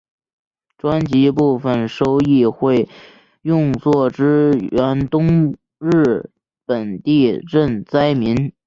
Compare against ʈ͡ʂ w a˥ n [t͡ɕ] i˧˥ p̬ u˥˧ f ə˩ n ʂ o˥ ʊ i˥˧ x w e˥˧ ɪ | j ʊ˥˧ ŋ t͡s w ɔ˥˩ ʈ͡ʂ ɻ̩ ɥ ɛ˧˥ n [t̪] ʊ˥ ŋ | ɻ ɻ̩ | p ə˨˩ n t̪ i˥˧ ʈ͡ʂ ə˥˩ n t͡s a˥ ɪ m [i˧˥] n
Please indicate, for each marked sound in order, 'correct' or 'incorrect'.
correct, correct, correct

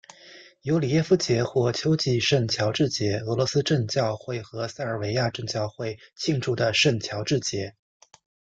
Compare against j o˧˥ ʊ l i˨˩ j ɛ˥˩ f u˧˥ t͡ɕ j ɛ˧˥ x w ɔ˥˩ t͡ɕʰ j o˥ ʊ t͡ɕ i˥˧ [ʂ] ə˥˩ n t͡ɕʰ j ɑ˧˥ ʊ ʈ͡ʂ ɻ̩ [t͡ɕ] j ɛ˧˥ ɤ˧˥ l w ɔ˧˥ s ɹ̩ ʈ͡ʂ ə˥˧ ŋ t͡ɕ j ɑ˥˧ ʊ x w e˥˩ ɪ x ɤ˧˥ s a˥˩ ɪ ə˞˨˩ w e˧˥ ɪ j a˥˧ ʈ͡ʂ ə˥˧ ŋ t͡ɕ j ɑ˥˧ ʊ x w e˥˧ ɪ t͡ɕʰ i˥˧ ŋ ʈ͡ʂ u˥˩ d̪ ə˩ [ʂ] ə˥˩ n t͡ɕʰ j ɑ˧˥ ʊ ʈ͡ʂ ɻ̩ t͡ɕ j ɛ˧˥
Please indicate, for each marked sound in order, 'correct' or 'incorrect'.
correct, correct, correct

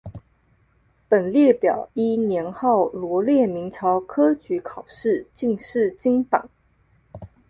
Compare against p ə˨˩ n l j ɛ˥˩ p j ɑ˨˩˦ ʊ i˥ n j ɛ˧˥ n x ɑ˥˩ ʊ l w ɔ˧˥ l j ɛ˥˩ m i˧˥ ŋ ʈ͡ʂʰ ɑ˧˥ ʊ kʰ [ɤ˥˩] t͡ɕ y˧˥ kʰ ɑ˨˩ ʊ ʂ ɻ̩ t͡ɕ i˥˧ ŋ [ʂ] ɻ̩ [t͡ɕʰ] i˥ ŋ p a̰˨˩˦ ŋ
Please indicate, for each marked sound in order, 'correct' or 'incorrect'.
incorrect: ɤ˥, correct, incorrect: t͡ɕ

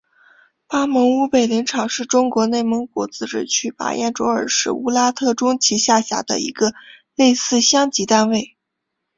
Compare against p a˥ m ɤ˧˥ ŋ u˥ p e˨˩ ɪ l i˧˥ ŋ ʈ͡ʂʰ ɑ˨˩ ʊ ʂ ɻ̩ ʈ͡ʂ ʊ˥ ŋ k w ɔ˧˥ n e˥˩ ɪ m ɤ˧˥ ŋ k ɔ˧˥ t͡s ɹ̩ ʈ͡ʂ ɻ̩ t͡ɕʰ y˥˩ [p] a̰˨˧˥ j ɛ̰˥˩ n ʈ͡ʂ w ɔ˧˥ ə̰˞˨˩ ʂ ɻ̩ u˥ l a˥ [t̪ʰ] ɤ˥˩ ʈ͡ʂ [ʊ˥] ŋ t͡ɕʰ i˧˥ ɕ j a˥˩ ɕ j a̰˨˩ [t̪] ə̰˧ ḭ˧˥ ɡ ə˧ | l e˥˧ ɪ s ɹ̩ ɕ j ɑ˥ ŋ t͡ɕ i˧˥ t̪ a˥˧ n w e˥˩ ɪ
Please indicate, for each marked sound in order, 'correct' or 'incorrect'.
correct, correct, correct, incorrect: d̪

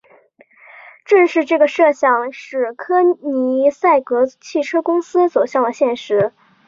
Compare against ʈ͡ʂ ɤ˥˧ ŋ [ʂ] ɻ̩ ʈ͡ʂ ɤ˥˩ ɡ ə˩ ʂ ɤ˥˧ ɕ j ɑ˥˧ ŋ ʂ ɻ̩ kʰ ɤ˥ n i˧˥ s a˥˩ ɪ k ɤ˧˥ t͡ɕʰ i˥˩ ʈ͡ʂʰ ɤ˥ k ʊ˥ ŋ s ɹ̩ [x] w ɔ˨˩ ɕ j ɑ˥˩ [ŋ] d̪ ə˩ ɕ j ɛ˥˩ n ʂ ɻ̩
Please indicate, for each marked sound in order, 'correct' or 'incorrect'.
correct, incorrect: s, correct

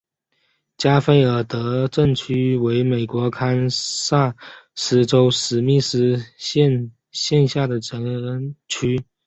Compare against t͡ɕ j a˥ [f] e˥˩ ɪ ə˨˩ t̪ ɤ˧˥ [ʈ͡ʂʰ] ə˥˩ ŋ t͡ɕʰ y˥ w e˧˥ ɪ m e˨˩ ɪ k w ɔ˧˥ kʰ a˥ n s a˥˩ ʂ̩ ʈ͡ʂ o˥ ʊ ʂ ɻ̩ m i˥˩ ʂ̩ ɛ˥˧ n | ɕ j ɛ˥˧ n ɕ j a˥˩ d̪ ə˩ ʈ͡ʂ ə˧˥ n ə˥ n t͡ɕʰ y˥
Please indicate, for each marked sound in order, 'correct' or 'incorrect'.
correct, incorrect: ʈ͡ʂ

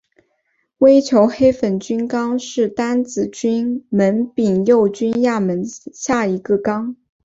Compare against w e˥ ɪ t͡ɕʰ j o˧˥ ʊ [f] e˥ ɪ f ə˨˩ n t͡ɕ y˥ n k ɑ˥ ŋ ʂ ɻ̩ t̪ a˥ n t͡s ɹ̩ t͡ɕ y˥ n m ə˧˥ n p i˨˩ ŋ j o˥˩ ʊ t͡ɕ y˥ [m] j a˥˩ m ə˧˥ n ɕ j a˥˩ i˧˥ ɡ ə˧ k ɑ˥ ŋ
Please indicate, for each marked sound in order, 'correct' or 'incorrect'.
incorrect: x, incorrect: n

